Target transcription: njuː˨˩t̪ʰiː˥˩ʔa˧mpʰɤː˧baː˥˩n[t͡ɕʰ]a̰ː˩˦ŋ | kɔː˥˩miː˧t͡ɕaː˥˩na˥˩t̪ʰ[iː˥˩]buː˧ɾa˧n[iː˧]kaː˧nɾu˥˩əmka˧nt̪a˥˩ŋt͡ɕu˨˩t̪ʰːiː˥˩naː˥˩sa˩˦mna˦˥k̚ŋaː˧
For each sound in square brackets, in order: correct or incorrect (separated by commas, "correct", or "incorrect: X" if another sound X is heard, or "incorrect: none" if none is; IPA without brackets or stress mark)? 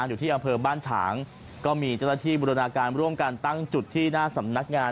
correct, correct, incorrect: aː˧